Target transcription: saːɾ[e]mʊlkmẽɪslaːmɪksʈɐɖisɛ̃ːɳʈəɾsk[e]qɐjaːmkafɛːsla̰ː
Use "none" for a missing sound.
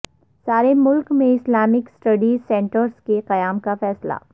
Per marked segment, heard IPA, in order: e, e

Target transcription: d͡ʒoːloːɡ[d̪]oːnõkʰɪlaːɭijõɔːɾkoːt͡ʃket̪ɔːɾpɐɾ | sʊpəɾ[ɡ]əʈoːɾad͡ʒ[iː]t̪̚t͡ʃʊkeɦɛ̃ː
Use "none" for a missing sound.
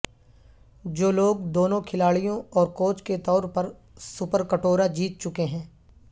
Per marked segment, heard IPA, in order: d̪, k, iː

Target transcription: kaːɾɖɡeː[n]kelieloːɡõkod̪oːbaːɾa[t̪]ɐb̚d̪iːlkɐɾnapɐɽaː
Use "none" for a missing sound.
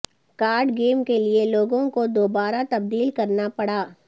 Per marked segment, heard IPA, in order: m, t̪

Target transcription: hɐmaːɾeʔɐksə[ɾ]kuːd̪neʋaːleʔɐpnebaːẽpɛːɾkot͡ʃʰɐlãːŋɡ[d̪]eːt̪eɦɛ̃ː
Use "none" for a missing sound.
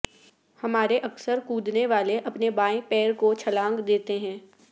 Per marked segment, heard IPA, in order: ɾ, d̪

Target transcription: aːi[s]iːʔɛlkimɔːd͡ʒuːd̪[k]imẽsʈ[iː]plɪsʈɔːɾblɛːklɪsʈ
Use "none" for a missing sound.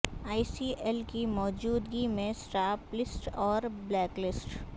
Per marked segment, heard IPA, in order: s, ɡ, aː

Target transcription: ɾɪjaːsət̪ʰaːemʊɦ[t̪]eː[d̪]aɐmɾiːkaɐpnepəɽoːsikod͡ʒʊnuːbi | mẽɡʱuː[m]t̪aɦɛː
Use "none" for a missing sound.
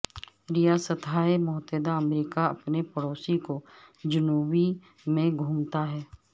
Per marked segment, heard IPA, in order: t̪, d̪, m

